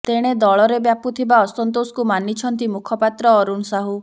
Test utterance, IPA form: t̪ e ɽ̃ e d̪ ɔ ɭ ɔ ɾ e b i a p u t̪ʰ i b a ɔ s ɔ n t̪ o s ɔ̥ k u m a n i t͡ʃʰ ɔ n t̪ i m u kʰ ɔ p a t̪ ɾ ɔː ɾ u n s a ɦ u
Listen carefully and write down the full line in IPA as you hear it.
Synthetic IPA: t̪ e ɽ̃ e d̪ ɔ ɭ ɔ ɾ e b j a p u t̪ʰ i b a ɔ s ɔ n t̪ o s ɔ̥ k u m a n i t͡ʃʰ ɔ n t̪ i m u kʰ ɔ p a t̪ ɾ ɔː ɾ u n s a ɦ u